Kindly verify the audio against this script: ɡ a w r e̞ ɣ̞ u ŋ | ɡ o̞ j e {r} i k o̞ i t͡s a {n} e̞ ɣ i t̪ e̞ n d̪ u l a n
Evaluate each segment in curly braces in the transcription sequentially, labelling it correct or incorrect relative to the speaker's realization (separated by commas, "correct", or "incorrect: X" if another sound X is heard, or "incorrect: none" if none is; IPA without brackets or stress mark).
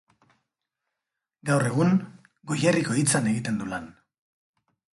correct, correct